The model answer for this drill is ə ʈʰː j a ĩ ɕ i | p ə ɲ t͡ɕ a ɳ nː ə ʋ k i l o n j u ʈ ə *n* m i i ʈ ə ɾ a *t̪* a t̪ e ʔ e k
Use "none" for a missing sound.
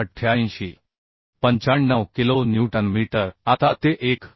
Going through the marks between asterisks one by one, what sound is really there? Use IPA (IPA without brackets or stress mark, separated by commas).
n, t̪